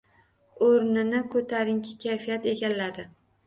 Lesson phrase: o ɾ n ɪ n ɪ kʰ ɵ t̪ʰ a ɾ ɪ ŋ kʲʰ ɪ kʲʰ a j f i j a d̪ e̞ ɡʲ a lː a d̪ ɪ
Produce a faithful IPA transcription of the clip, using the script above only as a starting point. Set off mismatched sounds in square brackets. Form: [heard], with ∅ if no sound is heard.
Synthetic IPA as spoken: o ɾ n ɪ n ɪ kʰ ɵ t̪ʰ a ɾ ɪ ŋ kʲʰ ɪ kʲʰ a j f i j a [t̪] e̞ ɡʲ a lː a d̪ ɪ